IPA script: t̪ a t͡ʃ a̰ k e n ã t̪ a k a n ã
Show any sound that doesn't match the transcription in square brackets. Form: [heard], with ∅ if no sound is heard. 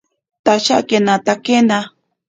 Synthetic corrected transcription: t̪ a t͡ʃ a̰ k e n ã t̪ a k [e] n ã